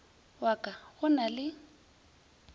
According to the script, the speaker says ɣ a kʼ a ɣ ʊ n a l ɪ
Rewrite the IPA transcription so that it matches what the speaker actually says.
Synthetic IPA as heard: w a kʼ a ɣ ʊ n a l ɪ